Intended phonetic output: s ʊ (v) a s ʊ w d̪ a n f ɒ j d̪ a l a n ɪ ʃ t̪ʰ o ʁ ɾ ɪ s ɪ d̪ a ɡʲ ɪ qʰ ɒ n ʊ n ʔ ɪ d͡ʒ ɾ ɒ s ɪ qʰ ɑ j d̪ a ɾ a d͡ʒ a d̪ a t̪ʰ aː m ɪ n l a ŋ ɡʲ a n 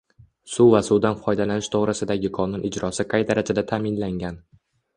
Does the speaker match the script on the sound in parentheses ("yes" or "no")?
yes